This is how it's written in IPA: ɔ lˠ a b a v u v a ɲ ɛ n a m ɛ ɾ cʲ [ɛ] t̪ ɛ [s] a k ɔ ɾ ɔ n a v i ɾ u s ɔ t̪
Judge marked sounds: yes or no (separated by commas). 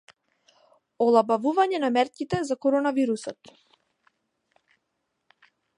no, no